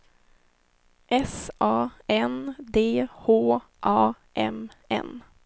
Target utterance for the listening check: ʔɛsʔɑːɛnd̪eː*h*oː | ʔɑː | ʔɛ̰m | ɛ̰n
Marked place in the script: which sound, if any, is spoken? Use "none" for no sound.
h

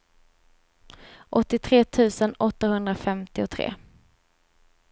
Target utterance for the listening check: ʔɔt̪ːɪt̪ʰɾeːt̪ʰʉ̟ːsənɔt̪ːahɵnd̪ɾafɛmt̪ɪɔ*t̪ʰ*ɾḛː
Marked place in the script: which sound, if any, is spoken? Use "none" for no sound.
t̪ʰ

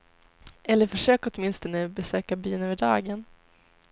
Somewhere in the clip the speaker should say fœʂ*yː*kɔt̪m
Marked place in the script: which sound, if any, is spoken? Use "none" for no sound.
øː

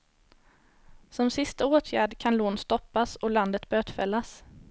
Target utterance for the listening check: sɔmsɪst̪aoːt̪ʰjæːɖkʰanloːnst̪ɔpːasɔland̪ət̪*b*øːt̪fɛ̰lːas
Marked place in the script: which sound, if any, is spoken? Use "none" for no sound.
b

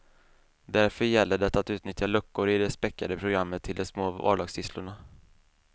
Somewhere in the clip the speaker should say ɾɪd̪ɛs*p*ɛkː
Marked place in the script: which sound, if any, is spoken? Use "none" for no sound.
p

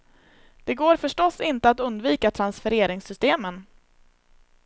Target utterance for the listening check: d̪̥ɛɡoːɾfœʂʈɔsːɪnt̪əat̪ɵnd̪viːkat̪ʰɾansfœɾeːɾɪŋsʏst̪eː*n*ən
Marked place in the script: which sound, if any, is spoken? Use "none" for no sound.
m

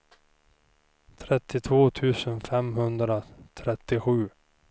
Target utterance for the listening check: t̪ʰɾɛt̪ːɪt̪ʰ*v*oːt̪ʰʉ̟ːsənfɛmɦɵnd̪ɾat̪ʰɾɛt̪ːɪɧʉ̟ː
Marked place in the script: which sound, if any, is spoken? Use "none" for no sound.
v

